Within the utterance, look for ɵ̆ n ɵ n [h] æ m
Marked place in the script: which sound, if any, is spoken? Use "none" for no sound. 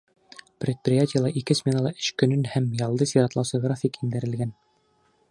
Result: h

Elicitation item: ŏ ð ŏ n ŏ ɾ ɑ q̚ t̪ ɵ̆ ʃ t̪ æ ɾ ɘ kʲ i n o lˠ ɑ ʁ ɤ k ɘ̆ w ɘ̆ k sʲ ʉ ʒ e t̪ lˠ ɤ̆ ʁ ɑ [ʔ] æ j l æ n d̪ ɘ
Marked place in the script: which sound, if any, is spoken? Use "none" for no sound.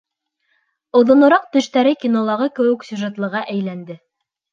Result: ʔ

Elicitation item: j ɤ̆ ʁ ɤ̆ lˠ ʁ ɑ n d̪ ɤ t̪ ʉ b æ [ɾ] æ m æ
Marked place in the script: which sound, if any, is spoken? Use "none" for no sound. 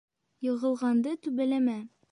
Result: l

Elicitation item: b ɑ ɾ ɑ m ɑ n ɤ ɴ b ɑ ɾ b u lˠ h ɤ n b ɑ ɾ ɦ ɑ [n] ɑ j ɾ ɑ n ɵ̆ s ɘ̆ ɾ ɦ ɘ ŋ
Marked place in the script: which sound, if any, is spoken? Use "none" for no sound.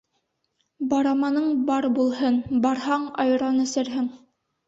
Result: ɴ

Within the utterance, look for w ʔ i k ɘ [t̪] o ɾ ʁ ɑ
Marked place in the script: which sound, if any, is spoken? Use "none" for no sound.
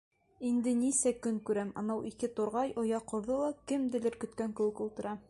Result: t̪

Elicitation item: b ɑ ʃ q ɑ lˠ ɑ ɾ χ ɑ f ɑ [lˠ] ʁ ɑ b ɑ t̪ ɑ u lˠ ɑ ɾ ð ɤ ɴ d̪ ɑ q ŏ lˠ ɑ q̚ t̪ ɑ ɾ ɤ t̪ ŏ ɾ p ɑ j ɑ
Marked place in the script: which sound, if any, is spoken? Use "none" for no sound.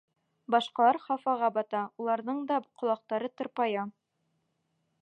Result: none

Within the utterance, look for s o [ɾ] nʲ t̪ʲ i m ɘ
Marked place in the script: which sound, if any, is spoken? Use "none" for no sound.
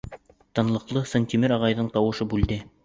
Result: none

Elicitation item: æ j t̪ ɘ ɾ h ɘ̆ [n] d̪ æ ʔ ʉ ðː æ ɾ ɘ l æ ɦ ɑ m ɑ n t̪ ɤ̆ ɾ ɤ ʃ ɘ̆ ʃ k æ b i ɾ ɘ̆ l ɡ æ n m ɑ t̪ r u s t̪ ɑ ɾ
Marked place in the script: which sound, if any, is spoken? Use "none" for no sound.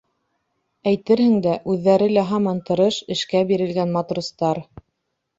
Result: ŋ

